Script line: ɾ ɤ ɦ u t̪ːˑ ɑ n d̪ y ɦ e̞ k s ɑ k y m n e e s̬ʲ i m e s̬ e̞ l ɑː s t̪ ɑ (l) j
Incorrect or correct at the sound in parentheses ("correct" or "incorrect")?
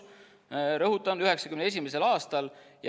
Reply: correct